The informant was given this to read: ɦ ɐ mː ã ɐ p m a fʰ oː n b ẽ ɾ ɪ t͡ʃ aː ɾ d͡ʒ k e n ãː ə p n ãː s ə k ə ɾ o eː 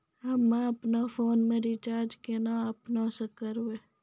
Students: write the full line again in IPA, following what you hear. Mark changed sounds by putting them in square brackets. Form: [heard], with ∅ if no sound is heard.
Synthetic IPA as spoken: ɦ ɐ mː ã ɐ p [n] a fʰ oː n [m] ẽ ɾ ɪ t͡ʃ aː ɾ d͡ʒ k e n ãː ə p n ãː s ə k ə ɾ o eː